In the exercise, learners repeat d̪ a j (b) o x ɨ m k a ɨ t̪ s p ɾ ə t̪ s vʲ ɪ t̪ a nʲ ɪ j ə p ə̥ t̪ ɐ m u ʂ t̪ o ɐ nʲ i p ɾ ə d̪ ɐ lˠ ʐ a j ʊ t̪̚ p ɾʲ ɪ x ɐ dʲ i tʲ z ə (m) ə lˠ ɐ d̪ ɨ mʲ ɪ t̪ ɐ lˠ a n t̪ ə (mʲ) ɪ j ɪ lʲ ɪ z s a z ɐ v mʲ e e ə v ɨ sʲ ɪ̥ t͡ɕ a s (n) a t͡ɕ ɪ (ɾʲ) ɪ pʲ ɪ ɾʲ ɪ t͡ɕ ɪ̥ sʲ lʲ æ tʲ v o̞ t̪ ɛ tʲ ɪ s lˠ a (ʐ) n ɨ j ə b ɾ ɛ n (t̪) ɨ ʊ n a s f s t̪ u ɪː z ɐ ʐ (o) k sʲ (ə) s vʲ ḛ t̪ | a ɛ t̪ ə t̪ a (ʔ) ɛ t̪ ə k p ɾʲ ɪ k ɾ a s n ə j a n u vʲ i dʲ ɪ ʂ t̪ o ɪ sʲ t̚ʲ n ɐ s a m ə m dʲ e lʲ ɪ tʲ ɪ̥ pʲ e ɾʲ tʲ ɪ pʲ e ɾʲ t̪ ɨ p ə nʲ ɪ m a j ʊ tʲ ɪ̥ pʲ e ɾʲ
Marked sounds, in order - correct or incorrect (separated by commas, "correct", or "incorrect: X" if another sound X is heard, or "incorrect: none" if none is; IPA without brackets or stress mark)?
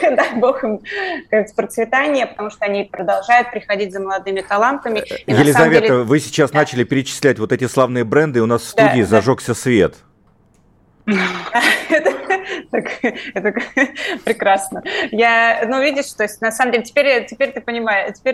correct, correct, correct, correct, incorrect: lʲ, incorrect: v, incorrect: d̪, correct, correct, incorrect: k